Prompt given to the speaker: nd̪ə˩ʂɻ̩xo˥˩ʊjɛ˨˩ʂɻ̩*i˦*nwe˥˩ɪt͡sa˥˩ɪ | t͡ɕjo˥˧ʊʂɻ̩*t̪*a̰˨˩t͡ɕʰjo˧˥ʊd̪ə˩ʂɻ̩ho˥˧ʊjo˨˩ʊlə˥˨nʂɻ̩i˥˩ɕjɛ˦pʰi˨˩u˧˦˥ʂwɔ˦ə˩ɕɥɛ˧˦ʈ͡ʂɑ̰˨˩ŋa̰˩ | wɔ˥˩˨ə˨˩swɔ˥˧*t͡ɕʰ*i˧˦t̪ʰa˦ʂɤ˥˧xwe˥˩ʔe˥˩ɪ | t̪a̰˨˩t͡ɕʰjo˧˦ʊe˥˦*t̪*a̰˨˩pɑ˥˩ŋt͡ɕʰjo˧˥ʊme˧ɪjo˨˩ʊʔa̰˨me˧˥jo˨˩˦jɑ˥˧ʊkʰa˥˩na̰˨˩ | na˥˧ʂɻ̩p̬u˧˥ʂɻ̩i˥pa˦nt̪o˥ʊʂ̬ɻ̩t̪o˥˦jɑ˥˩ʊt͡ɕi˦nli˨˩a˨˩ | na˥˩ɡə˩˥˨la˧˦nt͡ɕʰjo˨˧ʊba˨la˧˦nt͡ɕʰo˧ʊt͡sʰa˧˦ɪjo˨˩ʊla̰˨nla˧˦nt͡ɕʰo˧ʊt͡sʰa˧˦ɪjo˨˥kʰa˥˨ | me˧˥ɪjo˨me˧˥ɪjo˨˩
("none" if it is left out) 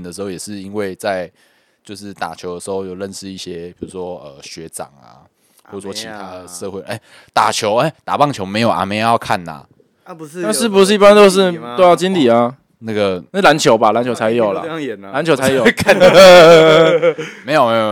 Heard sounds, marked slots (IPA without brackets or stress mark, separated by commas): i˦, t̪, t͡ɕʰ, t̪